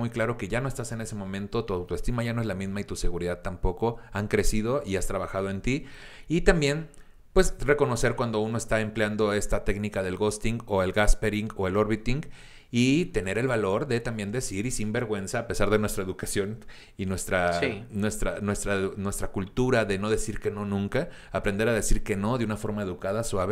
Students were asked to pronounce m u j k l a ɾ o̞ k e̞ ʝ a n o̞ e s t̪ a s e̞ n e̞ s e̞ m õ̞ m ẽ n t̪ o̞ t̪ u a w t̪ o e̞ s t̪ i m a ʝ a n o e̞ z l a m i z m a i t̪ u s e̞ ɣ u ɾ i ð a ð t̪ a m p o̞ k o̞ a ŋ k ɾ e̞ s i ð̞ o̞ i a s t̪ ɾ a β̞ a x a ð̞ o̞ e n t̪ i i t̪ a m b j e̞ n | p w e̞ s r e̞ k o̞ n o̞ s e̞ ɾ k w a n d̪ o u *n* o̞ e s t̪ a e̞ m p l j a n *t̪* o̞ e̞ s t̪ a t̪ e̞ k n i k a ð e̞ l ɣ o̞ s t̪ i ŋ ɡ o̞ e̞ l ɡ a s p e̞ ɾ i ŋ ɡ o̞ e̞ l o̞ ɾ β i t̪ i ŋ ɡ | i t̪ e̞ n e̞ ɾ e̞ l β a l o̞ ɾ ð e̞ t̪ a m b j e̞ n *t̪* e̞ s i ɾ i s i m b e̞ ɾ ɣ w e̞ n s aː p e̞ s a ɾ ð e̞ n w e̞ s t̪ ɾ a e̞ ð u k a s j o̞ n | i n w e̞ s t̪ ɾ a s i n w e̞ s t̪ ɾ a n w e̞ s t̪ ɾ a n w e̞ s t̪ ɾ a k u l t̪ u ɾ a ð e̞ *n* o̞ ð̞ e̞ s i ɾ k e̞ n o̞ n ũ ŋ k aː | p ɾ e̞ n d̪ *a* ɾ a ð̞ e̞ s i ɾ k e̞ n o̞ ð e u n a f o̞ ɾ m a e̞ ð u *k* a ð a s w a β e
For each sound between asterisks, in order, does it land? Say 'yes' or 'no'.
yes, no, no, yes, no, yes

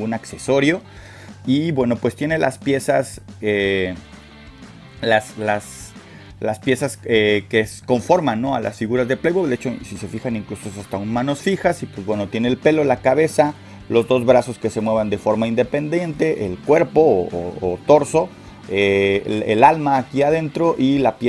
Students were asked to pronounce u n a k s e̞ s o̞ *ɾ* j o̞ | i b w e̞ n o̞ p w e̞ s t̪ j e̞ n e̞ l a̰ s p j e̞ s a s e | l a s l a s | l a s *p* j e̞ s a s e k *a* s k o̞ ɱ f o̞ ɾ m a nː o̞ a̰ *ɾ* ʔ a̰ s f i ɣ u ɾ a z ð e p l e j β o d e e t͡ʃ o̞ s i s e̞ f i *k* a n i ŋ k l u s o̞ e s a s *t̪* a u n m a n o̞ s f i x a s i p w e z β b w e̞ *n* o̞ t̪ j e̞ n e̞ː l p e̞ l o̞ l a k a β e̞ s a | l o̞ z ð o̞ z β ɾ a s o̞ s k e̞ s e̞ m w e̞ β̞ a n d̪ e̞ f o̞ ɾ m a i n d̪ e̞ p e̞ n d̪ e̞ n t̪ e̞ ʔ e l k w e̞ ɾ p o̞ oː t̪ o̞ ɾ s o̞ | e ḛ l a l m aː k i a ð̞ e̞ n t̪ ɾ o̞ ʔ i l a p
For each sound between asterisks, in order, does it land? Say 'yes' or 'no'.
yes, yes, no, no, no, yes, yes

